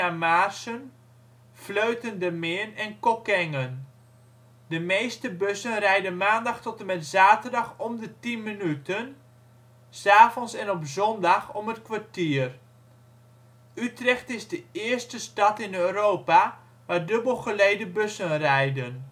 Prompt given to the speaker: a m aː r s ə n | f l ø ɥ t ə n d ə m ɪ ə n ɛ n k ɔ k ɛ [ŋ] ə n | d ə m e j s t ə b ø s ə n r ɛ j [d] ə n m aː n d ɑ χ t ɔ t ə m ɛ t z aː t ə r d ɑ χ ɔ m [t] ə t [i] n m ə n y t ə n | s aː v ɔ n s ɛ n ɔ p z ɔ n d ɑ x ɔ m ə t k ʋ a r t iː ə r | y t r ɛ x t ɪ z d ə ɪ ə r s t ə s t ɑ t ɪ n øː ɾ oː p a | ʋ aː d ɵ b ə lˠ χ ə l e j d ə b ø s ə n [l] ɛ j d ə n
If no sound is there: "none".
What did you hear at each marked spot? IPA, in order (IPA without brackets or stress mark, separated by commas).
ŋ, d, d, i, r